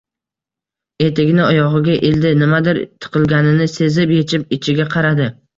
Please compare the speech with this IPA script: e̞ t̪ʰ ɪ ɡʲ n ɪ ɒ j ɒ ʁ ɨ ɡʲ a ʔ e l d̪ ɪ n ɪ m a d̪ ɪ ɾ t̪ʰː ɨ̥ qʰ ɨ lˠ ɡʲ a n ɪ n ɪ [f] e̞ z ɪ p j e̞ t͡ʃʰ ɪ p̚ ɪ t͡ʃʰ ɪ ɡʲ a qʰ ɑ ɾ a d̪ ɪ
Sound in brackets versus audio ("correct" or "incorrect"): incorrect